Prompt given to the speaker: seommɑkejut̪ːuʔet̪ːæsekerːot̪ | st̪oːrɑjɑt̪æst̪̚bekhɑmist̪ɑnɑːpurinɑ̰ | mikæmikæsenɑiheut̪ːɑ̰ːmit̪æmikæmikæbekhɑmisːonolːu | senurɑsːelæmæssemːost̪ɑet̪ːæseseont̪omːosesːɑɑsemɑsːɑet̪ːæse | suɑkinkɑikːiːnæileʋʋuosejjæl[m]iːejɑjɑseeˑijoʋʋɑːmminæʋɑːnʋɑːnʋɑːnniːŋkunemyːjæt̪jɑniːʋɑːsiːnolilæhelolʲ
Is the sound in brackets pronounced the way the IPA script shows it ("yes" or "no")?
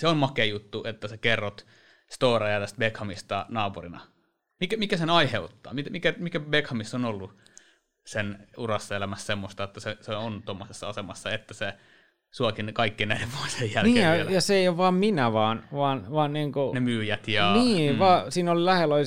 no